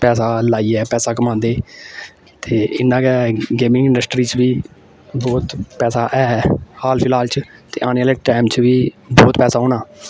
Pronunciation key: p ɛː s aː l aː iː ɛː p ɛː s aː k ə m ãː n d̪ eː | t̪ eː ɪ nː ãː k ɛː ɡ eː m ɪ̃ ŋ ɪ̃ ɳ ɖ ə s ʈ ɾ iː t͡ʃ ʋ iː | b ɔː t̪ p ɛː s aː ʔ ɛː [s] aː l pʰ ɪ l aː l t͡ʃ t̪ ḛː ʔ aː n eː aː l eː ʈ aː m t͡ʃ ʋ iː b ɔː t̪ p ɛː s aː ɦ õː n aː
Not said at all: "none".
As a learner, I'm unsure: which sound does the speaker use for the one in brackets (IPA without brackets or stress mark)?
h